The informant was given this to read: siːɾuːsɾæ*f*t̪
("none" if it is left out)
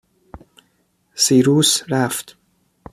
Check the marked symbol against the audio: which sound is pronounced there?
f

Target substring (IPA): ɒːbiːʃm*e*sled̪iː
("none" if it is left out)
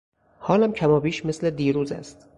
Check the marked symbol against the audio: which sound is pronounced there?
e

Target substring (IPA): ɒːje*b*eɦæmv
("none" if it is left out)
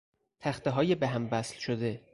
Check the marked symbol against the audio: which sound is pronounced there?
b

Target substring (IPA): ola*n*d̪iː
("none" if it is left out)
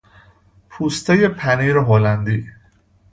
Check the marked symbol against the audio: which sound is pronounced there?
n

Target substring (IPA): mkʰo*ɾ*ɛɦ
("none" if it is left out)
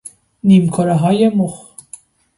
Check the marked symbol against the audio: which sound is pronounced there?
ɾ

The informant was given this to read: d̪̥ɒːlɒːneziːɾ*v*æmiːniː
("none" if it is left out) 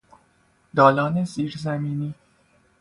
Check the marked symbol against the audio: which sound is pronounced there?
z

